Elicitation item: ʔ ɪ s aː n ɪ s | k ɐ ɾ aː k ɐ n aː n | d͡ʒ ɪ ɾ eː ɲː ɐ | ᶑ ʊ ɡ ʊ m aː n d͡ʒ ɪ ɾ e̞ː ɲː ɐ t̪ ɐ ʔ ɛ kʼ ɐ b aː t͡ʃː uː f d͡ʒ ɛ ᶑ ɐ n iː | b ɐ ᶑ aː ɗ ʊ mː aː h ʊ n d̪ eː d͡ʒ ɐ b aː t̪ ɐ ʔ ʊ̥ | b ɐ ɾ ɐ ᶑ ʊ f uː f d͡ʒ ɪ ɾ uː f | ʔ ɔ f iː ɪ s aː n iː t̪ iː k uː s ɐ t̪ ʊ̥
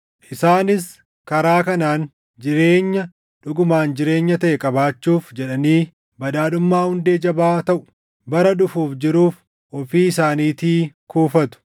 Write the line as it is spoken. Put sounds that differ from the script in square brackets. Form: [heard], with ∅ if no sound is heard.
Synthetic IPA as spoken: ʔ ɪ s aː n ɪ s | k ɐ ɾ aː k ɐ n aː n | d͡ʒ ɪ ɾ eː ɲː ɐ | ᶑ ʊ ɡ ʊ m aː n d͡ʒ ɪ ɾ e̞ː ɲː ɐ t̪ ɐ ʔ ɛ kʼ ɐ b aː t͡ʃː uː f d͡ʒ ɛ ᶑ ɐ n iː | b ɐ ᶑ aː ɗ ʊ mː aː h ʊ n d̪ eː d͡ʒ ɐ b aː t̪ ɐ ʔ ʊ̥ | b ɐ ɾ ɐ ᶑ ʊ f uː f d͡ʒ ɪ ɾ uː f | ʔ ɔ f iː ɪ s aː n iː t̪ iː k uː [f] ɐ t̪ ʊ̥